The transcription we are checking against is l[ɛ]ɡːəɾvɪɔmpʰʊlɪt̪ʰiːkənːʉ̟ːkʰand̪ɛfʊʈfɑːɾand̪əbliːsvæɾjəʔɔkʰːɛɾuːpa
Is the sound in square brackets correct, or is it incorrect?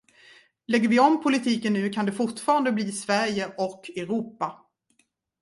correct